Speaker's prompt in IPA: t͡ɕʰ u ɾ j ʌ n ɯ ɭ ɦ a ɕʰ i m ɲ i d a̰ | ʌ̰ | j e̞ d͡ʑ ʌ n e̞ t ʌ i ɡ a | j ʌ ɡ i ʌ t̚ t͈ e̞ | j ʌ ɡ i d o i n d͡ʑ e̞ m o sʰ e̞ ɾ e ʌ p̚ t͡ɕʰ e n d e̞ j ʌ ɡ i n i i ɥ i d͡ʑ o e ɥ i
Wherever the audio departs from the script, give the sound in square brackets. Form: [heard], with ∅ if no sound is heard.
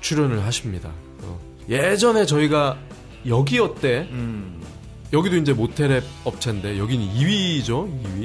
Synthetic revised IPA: t͡ɕʰ u ɾ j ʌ n ɯ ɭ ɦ a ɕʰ i m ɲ i d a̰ | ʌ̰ | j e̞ d͡ʑ ʌ n e̞ [t͡ɕ] ʌ i ɡ a | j ʌ ɡ i ʌ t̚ t͈ e̞ | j ʌ ɡ i d o i n d͡ʑ e̞ m o [tʰ] e̞ ɾ e ʌ p̚ t͡ɕʰ e n d e̞ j ʌ ɡ i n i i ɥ i d͡ʑ o [i] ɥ i